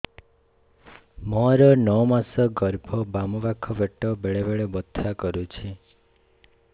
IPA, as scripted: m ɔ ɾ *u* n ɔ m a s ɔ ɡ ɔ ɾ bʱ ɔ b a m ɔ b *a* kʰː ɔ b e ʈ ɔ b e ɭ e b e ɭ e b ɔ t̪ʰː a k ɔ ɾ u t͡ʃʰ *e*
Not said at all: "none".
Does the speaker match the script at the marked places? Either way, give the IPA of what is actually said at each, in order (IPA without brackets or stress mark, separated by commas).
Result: ɔ, a, i